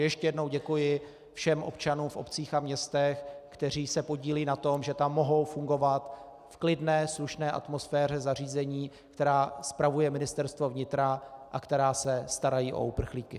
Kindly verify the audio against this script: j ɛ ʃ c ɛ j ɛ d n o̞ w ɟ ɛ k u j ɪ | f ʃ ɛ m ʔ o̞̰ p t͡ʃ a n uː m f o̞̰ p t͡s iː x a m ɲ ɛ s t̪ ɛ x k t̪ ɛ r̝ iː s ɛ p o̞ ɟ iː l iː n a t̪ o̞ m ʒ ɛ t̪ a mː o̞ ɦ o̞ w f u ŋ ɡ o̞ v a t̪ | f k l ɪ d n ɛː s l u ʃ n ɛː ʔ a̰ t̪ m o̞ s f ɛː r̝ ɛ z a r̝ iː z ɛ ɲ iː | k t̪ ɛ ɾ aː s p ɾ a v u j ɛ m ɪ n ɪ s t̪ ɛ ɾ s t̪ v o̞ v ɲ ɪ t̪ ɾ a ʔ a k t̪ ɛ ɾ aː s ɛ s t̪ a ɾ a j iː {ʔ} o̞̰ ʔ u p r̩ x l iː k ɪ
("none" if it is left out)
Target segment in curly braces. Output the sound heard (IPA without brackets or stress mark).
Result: ʔ